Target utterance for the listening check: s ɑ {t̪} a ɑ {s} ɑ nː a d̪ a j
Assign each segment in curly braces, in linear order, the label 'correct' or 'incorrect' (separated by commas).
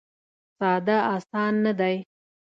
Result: incorrect, correct